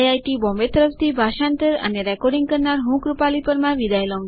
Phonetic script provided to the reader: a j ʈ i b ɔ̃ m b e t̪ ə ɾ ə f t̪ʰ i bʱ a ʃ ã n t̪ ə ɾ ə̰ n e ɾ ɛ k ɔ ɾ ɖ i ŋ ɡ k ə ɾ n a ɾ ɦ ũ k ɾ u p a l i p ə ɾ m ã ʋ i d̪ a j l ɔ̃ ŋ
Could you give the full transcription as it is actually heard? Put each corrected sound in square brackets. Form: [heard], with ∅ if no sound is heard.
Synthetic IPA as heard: a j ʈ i b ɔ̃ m b e t̪ ə ɾ ə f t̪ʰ i bʱ a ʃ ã n t̪ ə ɾ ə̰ n e ɾ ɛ k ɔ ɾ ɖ i ŋ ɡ k ə ɾ n a ɾ ɦ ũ k ɾ u p a l i p ə ɾ m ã ʋ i d̪ a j l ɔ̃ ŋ